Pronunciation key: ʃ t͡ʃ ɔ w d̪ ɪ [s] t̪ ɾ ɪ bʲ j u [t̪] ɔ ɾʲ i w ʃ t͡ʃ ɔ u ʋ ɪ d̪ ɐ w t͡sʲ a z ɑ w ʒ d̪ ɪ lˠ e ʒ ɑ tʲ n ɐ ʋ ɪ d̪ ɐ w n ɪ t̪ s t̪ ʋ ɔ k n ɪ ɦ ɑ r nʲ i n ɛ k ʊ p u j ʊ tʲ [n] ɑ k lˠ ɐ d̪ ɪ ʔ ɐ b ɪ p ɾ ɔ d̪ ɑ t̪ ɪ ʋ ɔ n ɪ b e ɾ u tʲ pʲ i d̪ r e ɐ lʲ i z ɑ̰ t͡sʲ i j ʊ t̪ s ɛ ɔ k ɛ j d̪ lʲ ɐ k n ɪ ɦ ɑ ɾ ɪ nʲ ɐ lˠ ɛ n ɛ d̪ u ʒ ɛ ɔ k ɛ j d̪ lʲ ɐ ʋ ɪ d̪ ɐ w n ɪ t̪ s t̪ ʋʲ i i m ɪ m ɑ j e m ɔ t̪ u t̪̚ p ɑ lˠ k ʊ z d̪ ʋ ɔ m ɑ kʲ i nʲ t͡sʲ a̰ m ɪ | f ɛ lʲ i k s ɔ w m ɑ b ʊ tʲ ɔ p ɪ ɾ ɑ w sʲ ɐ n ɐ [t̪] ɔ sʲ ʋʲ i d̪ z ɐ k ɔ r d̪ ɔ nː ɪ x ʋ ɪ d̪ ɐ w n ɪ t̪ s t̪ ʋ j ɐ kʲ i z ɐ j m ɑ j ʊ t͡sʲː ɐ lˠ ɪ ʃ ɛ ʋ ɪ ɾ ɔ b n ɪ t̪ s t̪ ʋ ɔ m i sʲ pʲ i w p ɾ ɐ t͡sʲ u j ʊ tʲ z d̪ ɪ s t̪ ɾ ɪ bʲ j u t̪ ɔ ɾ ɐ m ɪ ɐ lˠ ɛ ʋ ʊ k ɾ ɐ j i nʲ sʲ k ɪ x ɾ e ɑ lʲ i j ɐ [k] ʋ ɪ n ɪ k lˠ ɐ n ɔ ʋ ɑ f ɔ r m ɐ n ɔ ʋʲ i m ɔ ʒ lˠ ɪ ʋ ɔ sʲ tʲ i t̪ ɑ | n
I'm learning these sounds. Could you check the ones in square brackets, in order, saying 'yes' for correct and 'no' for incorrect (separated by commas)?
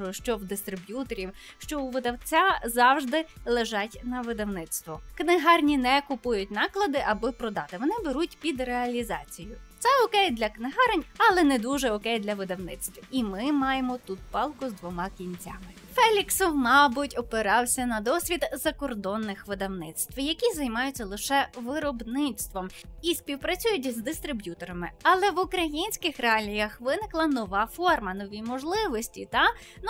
yes, yes, yes, no, no